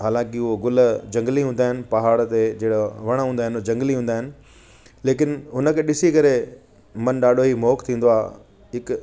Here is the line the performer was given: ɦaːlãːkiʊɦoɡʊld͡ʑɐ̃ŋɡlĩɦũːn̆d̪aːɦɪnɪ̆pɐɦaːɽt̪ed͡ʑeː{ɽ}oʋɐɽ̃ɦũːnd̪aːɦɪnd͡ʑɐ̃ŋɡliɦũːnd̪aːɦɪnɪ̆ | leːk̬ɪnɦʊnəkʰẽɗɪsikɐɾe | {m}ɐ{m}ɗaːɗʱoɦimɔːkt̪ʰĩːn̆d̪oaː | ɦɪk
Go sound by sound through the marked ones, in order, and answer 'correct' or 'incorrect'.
correct, correct, incorrect

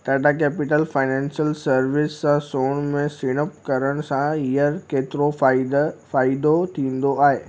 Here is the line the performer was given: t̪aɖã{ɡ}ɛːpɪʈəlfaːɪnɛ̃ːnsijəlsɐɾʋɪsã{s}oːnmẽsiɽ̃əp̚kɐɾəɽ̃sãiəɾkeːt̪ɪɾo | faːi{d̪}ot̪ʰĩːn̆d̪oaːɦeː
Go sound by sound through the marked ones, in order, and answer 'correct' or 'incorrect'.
incorrect, correct, correct

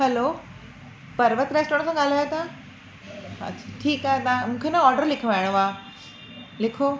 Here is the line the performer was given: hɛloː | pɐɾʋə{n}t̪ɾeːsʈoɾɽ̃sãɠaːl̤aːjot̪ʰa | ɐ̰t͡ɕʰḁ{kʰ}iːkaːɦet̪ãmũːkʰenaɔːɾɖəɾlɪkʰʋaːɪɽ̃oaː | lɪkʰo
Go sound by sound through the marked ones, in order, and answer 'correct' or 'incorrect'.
incorrect, incorrect

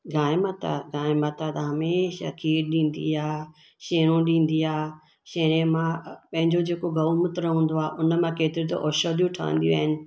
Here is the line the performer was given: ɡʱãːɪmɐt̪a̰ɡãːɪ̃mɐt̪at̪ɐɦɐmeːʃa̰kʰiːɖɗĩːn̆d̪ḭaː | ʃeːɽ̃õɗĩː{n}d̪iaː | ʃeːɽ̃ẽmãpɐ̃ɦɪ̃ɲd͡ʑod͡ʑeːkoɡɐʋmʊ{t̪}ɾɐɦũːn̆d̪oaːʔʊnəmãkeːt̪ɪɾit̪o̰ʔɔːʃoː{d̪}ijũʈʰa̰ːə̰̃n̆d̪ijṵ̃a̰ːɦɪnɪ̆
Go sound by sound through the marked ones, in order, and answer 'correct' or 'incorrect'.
correct, correct, correct

